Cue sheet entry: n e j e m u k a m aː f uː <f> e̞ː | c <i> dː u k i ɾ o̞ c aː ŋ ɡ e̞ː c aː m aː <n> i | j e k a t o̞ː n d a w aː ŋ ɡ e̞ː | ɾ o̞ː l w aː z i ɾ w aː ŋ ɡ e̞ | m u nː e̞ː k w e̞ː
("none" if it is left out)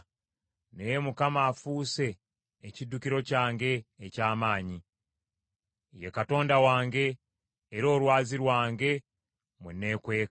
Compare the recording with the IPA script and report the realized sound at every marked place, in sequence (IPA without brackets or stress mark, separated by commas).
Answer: s, i, ɲ